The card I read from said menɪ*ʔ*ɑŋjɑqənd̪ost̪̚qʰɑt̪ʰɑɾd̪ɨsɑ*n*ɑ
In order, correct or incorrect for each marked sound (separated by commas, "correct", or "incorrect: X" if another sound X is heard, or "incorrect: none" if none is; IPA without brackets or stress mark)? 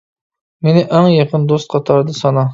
correct, correct